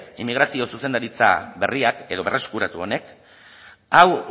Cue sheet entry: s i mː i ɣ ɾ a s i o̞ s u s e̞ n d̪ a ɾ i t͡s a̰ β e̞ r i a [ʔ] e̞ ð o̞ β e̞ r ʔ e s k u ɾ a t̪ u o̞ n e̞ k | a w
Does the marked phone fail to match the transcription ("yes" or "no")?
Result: yes